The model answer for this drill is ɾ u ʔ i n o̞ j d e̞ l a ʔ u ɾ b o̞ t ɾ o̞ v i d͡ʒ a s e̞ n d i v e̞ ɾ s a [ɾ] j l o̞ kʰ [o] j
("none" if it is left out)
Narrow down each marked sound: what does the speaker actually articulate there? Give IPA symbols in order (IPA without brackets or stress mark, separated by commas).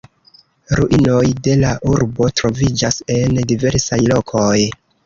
none, o